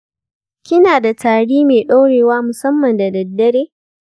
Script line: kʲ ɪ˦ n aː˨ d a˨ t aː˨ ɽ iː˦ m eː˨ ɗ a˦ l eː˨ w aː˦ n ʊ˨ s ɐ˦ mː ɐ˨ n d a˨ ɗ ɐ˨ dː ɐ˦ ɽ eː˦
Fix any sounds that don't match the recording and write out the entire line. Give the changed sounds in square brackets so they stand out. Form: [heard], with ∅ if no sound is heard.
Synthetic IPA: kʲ ɪ˦ n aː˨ d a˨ t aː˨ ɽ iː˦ m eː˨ ɗ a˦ [ɽ] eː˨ w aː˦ [m] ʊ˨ s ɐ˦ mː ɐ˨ n d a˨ [d] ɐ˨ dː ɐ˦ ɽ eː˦

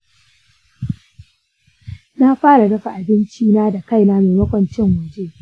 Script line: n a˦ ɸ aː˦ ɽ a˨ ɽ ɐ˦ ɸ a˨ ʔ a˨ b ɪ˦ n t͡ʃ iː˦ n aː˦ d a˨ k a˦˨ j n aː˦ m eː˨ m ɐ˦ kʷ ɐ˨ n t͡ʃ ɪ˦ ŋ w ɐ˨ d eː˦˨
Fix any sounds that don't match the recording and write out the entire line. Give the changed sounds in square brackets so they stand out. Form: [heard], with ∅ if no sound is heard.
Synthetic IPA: n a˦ ɸ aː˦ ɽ a˨ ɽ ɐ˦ ɸ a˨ ʔ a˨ b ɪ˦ n t͡ʃ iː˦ n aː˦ d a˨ k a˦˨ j n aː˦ m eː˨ m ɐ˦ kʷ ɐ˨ n t͡ʃ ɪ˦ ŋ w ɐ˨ [d͡ʒ] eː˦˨

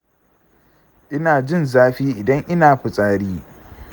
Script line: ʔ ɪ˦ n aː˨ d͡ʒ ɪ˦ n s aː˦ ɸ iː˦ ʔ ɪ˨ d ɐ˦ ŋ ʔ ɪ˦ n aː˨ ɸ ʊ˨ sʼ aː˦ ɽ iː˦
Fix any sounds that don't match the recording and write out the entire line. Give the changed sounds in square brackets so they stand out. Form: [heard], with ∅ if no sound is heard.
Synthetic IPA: ʔ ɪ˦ n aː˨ d͡ʒ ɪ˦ n [z] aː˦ ɸ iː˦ ʔ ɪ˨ d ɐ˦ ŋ ʔ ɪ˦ n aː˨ ɸ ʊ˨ sʼ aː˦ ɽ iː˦

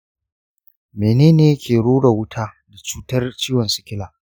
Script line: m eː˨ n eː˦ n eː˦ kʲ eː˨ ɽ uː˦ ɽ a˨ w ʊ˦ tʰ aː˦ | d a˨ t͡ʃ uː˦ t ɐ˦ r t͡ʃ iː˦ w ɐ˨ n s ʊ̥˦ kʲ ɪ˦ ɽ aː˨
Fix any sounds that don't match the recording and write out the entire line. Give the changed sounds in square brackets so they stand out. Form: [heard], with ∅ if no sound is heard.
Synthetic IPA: m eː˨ n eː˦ n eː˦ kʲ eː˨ ɽ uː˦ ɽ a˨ w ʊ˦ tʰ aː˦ | d a˨ t͡ʃ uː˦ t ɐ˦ r t͡ʃ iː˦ w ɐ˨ n s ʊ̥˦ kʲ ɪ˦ [l] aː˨

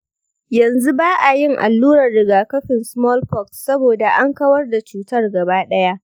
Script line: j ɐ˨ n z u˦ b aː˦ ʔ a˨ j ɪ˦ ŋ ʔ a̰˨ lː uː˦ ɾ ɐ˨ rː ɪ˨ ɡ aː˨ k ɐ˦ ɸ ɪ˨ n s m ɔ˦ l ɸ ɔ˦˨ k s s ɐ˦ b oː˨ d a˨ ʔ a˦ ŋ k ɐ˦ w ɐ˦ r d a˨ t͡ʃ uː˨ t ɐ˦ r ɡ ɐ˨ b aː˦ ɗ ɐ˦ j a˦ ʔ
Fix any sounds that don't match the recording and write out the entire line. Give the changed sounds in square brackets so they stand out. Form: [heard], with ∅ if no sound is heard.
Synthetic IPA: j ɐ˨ n z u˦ b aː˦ ʔ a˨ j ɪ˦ ŋ ʔ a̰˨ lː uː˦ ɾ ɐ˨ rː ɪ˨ ɡ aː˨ k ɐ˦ ɸ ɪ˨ n s m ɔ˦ l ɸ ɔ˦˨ k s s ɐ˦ b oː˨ d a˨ ʔ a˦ ŋ k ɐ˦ w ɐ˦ r d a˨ t͡ʃ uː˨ t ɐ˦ r ɡ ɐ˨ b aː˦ ɗ ɐ˦ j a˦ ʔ

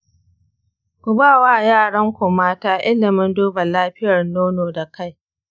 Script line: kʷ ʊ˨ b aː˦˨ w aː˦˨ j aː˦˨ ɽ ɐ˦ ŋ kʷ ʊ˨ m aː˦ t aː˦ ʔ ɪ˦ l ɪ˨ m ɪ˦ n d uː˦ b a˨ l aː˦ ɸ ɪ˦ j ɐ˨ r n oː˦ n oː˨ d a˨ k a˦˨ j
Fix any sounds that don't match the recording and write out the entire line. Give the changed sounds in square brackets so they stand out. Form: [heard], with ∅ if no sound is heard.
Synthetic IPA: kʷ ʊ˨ b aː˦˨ w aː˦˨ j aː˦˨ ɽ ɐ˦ ŋ kʷ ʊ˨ m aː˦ t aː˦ ʔ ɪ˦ l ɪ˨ m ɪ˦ n d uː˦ b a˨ l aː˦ ɸ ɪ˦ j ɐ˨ r n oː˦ n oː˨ d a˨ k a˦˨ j

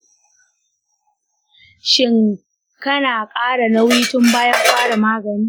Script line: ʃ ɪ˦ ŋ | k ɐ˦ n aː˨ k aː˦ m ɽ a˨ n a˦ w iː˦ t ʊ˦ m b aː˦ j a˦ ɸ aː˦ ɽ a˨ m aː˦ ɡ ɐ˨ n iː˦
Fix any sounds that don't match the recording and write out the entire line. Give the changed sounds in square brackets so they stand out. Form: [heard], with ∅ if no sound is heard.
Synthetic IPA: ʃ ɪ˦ ŋ | k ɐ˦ n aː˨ [kʼ] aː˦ [∅] ɽ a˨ n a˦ w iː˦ t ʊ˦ m b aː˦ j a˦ ɸ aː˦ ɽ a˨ m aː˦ ɡ ɐ˨ n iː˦

